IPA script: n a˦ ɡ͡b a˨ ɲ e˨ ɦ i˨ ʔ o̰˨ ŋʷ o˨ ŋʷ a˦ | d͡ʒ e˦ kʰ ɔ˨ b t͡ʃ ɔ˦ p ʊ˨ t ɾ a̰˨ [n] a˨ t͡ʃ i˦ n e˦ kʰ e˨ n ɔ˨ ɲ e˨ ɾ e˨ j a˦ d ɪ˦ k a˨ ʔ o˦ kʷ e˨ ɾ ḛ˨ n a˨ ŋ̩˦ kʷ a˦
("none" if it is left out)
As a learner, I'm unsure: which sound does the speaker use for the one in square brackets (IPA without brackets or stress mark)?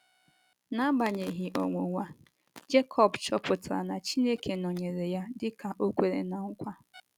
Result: n